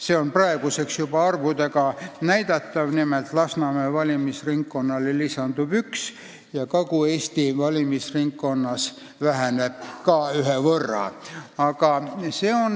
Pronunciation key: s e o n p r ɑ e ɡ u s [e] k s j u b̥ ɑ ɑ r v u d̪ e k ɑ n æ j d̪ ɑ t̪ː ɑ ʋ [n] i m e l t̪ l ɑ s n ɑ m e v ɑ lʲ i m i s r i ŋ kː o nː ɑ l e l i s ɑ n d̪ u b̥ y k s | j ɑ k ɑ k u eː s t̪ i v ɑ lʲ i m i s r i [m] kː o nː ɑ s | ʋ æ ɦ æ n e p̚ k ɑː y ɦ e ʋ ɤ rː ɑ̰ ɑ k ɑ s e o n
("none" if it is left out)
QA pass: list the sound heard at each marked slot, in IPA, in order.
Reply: e, n, ŋ

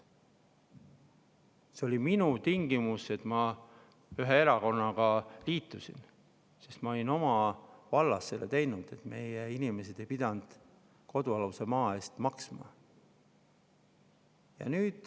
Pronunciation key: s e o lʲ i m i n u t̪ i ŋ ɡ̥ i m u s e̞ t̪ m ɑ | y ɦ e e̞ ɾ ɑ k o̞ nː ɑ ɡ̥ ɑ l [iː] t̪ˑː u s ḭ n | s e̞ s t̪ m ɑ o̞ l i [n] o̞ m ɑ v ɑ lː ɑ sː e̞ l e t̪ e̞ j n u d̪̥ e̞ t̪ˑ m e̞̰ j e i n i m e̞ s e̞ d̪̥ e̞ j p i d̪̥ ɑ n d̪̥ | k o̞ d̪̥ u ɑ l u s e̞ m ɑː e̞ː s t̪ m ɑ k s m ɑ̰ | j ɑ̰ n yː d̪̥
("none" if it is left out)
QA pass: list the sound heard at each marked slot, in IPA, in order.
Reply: iː, n

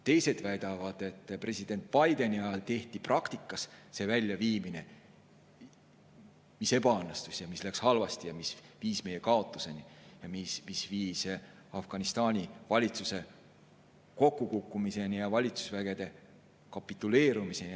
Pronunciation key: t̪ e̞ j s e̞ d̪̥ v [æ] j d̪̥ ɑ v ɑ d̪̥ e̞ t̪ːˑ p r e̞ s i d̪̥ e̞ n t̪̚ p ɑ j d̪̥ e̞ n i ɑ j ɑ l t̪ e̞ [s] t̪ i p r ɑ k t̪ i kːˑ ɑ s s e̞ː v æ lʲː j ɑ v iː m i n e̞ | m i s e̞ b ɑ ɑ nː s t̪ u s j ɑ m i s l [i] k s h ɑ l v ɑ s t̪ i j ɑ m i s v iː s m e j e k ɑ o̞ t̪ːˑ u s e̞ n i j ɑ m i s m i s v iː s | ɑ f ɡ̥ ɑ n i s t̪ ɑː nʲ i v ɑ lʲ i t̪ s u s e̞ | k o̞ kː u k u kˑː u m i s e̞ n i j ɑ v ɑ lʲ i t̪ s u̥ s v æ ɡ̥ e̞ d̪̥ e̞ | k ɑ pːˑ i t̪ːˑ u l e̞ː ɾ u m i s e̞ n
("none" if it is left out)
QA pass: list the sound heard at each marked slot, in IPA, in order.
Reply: æ, h, æ

